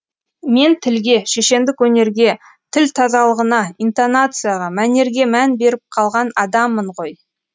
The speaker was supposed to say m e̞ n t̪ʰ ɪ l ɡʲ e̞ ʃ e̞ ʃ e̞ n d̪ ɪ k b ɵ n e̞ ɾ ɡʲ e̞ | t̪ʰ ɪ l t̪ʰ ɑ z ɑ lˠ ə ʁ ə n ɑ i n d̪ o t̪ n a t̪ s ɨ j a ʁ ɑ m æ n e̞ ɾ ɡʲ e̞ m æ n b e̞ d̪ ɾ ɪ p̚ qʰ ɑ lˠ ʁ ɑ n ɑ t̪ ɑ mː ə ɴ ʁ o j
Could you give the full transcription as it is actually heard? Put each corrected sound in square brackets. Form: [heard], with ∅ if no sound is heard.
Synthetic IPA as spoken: m e̞ n t̪ʰ ɪ l ɡʲ e̞ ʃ e̞ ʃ e̞ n d̪ ɪ k [w] ɵ n e̞ ɾ ɡʲ e̞ | t̪ʰ ɪ l t̪ʰ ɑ z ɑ lˠ ə ʁ ə n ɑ i n [t̪] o [∅] n a t̪ s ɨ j a ʁ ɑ m æ n e̞ ɾ ɡʲ e̞ m æ n b e̞ [∅] ɾ ɪ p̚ qʰ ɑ lˠ ʁ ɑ n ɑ [d̪] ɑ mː ə ɴ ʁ o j